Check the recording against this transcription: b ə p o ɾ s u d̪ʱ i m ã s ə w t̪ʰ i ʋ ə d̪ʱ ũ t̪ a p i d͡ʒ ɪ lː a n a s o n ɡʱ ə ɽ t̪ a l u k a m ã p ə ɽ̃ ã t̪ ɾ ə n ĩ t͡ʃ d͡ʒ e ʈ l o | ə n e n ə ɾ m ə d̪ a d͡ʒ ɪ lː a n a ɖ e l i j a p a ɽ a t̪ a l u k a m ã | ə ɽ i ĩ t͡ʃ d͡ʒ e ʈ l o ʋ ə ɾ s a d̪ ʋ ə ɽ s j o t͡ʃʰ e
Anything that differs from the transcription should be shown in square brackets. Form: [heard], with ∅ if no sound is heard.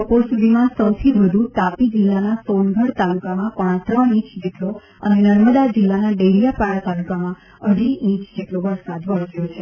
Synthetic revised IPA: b ə p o ɾ s u d̪ʱ i m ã s ə w t̪ʰ i ʋ ə d̪ʱ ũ t̪ a p i d͡ʒ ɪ lː a n a s o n ɡʱ ə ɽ t̪ a l u k a m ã p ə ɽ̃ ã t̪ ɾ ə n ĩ t͡ʃ d͡ʒ e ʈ l o | ə n e n ə ɾ m ə d̪ a d͡ʒ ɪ lː a n a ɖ e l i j a p a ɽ a t̪ a l u k a m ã | ə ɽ i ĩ t͡ʃ d͡ʒ e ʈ l o ʋ ə ɾ s a d̪ ʋ ə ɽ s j o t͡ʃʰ e